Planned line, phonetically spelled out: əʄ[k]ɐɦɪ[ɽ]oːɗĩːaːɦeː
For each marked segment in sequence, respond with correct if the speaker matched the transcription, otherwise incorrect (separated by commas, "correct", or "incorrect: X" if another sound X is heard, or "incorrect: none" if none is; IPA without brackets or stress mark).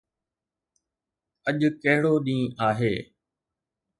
correct, correct